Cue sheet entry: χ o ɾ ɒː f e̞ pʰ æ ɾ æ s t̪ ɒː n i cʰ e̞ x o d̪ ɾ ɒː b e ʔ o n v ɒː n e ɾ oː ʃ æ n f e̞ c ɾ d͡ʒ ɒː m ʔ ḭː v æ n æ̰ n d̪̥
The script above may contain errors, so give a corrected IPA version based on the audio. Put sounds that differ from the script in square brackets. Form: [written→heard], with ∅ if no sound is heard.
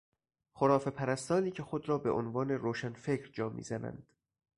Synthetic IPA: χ o ɾ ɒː f e̞ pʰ æ ɾ æ s t̪ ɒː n [i→iː] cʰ e̞ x o d̪ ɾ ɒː b e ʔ o n v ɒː n e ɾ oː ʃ æ n f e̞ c ɾ d͡ʒ ɒː m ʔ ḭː [v→z] æ n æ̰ n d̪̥